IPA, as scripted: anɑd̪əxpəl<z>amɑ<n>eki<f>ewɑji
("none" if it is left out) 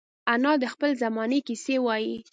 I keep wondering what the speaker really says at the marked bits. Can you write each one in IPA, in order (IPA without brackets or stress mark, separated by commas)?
z, n, s